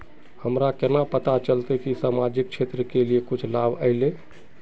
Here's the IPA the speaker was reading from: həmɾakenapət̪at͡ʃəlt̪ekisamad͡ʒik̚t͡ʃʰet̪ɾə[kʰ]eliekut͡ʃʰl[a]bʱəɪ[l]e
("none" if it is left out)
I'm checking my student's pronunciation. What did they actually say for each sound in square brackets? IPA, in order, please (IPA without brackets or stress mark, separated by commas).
k, a, l